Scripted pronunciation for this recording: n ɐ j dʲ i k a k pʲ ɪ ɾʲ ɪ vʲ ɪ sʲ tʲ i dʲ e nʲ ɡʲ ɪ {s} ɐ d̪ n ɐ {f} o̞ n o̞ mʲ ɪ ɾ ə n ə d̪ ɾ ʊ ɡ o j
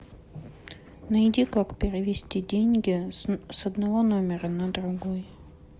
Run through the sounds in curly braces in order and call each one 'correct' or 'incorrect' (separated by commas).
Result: correct, incorrect